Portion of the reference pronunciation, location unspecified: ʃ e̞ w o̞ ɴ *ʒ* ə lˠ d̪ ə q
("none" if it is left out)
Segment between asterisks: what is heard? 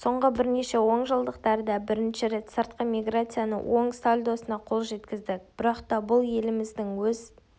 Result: ʒ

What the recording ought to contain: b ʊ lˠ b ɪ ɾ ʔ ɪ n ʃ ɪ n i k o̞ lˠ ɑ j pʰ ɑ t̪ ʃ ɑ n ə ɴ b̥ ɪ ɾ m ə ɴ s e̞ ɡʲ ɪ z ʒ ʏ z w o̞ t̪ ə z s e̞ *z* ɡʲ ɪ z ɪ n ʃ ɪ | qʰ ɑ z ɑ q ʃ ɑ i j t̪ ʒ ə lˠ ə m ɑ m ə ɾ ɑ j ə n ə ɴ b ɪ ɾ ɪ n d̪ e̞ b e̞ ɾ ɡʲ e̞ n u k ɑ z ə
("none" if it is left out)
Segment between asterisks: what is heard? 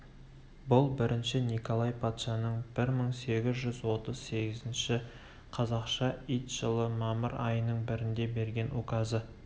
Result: none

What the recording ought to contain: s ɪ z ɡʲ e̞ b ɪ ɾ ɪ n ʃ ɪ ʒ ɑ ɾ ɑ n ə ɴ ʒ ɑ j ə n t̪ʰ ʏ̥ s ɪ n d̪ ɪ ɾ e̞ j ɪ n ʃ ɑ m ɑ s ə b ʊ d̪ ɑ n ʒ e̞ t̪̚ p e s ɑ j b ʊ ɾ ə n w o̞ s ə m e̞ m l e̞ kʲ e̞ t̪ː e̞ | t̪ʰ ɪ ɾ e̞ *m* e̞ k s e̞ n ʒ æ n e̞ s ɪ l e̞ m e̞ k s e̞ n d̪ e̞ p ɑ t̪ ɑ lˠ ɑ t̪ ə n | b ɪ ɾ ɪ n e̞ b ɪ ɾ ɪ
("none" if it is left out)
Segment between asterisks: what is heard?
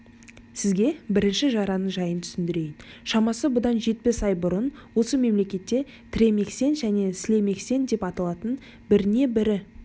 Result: m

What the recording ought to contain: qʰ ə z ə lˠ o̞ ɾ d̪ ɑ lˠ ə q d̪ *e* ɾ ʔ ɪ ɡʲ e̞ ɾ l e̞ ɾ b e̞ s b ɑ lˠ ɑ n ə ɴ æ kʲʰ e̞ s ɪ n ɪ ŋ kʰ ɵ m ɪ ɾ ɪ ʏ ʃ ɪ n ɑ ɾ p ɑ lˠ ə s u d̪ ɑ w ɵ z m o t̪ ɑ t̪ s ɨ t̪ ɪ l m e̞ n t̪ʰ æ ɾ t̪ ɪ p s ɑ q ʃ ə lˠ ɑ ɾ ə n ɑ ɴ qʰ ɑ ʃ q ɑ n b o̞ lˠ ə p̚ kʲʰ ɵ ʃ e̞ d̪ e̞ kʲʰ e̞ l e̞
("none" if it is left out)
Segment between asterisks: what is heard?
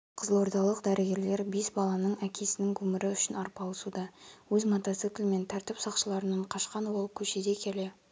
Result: æ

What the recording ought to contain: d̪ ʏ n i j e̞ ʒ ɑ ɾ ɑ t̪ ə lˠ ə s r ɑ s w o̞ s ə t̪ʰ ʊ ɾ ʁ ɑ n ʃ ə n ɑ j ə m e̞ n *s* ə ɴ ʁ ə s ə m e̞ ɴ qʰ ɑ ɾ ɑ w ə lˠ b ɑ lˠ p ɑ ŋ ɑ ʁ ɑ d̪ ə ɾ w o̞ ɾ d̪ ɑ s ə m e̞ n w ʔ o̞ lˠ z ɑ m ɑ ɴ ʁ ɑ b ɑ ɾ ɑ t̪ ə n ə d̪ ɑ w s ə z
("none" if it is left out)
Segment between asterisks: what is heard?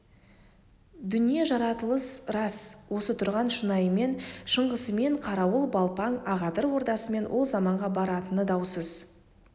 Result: ʃ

